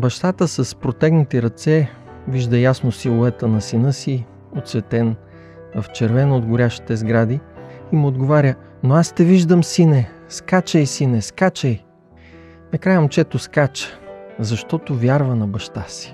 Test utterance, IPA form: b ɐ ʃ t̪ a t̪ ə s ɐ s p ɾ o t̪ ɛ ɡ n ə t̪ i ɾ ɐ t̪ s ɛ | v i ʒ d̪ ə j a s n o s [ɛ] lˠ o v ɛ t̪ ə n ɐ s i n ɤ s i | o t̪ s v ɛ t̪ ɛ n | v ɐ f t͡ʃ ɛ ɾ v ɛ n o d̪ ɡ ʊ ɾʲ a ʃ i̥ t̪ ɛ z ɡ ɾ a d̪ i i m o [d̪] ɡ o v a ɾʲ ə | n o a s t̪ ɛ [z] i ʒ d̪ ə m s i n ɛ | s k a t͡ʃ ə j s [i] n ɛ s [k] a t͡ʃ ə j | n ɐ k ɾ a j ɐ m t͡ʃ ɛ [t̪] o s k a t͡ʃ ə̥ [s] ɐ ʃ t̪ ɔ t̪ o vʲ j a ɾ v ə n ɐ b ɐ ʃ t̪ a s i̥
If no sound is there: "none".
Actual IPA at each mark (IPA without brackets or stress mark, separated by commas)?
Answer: i, d̪, v, i, k, t̪, z